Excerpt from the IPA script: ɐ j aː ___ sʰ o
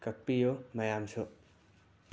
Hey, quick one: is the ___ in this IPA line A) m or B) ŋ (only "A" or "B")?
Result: A